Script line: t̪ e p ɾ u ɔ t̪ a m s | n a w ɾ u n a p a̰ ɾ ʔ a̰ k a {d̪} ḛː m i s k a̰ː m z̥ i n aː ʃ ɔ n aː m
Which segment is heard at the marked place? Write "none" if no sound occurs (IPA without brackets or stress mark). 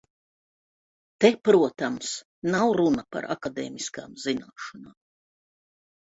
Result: d̪